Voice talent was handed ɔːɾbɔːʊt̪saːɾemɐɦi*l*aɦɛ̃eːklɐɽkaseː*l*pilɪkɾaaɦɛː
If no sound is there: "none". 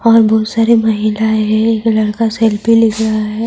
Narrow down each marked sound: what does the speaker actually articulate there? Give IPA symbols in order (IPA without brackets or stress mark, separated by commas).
l, l